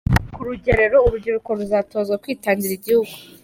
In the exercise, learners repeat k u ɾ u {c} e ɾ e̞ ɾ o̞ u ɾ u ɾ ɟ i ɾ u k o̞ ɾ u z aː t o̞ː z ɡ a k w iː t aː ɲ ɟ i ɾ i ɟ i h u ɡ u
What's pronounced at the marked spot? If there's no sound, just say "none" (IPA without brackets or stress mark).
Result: ɟ